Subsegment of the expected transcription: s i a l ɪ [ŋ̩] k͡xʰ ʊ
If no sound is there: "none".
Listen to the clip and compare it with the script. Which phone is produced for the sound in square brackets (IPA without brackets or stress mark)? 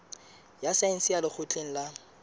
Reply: none